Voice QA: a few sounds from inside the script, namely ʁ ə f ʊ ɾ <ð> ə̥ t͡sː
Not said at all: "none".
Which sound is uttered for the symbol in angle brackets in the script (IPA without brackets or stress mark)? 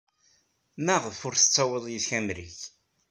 θ